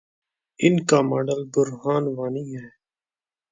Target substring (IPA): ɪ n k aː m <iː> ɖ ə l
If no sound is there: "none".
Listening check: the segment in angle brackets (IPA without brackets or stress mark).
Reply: aː